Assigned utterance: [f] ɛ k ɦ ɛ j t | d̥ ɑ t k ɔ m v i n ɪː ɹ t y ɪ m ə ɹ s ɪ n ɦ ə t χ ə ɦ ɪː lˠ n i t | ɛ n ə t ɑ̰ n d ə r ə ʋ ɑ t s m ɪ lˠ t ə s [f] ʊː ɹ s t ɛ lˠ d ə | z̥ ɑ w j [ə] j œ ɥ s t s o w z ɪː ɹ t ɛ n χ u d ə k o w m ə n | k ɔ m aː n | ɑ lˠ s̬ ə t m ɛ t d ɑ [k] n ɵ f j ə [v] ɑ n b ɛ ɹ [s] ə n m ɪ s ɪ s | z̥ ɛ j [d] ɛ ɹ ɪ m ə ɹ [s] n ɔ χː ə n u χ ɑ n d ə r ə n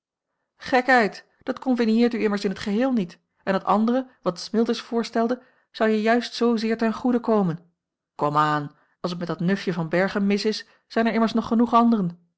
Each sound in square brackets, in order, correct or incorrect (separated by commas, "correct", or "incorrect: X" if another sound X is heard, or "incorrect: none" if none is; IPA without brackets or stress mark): incorrect: χ, correct, correct, incorrect: t, correct, incorrect: χ, incorrect: n, correct